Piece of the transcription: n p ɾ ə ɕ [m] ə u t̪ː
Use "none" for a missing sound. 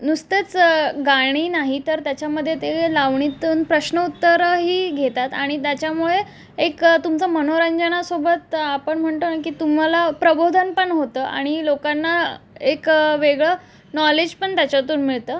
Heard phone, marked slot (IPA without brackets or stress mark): n